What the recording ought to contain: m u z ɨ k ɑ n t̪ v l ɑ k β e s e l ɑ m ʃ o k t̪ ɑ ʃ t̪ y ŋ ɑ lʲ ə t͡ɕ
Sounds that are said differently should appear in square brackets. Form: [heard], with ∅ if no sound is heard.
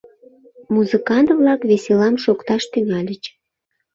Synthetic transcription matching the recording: m u z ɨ k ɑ n t̪ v l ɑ k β e s e l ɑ m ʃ o k t̪ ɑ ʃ t̪ y ŋ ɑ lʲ ə t͡ɕ